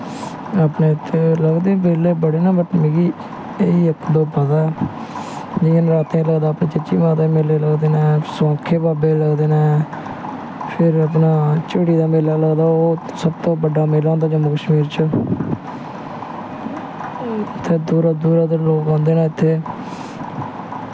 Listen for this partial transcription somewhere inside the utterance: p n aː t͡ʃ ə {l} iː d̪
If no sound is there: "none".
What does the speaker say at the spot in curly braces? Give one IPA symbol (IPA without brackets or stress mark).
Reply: ɽ